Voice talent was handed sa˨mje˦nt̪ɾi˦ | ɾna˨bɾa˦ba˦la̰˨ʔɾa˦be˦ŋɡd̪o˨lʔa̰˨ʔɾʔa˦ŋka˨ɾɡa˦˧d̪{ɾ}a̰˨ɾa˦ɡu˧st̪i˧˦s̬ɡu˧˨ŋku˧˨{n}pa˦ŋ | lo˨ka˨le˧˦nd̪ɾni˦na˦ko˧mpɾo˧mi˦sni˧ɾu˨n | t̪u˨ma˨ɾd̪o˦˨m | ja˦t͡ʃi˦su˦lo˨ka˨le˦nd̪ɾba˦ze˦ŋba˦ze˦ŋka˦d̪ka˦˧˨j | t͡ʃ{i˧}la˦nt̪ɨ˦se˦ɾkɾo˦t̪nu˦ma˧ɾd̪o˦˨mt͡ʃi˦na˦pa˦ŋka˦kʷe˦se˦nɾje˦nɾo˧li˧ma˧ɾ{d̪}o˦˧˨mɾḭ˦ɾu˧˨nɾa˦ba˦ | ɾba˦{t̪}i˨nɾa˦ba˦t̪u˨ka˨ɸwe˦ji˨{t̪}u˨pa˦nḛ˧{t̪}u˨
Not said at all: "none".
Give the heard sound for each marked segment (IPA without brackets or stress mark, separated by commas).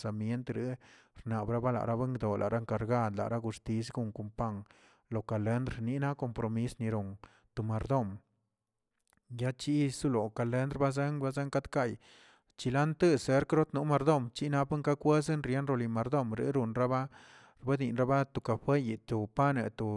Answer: l, m, i˧, d̪, d̪, t̪, t̪